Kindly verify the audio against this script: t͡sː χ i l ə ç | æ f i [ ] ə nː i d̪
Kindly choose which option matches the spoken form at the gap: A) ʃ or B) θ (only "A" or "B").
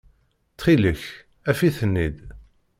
B